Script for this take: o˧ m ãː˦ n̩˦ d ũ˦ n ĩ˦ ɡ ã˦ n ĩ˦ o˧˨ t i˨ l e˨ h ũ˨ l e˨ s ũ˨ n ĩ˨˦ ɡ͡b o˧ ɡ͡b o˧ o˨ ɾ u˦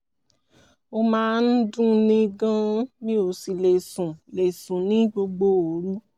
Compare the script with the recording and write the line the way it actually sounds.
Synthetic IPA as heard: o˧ m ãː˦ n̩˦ d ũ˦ n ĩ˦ ɡ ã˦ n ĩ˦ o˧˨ s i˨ l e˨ s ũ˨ l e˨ s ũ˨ n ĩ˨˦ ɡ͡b o˧ ɡ͡b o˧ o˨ ɾ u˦